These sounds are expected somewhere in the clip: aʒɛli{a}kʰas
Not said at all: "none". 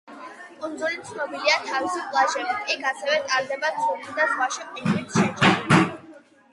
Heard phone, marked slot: i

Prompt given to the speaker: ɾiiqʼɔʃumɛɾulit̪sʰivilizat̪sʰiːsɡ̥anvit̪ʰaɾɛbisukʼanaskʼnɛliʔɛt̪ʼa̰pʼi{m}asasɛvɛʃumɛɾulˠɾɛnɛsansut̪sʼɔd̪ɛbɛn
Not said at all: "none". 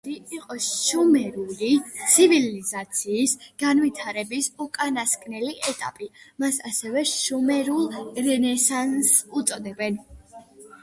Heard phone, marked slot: m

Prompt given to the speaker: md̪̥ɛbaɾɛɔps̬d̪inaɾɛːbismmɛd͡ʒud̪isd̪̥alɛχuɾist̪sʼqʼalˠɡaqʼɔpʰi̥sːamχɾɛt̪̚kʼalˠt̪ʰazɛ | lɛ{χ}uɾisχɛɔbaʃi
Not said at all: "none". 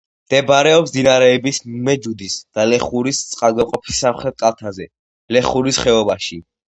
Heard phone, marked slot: χ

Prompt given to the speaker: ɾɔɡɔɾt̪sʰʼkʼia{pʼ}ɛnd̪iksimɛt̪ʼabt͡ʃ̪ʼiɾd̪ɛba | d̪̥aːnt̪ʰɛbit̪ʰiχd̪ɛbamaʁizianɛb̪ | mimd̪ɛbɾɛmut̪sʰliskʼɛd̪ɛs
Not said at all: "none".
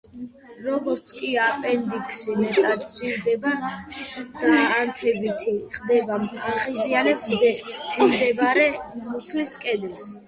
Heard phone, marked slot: pʼ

